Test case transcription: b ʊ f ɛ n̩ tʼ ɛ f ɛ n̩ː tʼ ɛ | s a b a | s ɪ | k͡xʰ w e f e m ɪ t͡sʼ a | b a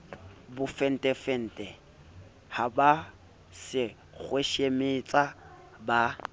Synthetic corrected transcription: b ʊ f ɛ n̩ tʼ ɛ f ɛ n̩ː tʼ ɛ | h a b a | s ɪ | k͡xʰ w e ʃ e m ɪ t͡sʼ a | b a